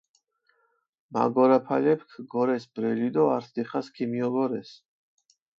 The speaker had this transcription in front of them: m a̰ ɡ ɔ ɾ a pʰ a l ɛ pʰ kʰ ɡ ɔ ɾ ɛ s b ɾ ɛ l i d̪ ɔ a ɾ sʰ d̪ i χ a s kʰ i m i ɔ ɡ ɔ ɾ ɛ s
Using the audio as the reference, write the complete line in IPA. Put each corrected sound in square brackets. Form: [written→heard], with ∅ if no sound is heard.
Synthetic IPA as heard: m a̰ ɡ ɔ ɾ a pʰ a l ɛ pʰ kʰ ɡ ɔ ɾ ɛ s b ɾ ɛ l i d̪ ɔ a ɾ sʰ d̪ i χ a s kʰ i m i ɔ ɡ ɔ ɾ ɛ s